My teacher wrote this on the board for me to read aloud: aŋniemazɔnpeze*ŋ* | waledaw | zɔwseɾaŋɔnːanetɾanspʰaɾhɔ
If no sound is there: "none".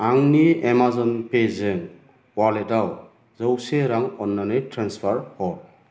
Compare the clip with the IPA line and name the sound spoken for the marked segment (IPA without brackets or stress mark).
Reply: ŋ